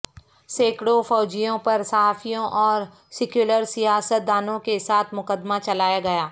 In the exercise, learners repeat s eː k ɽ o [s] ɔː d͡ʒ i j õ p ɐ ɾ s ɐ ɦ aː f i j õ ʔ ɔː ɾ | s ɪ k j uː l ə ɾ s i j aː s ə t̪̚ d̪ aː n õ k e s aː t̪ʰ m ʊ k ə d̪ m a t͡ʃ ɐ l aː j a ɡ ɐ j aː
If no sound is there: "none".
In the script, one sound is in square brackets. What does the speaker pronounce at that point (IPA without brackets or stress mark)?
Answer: f